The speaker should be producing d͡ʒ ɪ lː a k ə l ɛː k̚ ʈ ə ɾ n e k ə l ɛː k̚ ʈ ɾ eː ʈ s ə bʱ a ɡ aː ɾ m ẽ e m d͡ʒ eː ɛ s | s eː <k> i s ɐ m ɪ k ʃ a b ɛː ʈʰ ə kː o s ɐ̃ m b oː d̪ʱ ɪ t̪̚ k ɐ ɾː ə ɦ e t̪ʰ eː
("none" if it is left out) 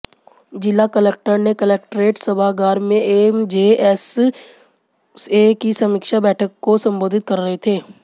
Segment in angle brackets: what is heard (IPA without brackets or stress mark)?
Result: k